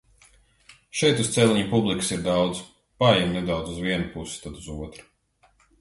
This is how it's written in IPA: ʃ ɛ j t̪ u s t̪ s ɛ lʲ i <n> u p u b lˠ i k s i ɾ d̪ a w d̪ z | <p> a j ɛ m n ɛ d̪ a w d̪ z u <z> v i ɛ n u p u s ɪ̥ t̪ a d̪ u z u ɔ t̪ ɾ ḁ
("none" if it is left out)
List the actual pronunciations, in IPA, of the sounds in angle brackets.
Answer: ɲ, p, z

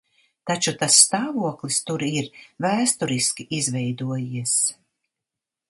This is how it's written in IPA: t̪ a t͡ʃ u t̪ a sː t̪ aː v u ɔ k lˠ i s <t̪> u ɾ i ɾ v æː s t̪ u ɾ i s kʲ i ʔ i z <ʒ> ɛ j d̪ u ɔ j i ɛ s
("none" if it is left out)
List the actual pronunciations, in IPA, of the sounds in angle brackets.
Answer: t̪, v

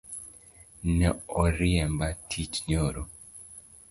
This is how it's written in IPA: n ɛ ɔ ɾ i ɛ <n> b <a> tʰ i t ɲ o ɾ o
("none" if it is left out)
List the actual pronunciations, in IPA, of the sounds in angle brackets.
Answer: m, a

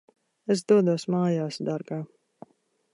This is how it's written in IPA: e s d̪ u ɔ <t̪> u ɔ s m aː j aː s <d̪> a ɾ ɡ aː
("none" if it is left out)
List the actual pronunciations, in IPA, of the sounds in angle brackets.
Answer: d̪, d̪

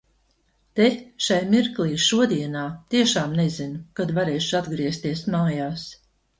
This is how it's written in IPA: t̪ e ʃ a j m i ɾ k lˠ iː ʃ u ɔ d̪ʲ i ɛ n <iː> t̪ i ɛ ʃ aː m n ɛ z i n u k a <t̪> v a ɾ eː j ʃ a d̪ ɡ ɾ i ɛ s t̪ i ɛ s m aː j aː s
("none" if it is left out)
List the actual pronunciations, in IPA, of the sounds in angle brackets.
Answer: aː, d̪

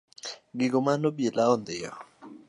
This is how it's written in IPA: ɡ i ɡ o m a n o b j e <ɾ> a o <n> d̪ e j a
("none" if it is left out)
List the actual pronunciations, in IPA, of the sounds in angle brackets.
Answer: l, n

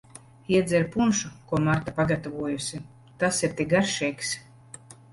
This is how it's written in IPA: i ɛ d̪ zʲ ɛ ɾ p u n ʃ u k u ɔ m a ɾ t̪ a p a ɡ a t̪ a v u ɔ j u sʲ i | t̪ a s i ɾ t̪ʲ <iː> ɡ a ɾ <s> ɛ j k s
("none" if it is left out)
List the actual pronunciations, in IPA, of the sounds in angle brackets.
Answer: i, ʃ

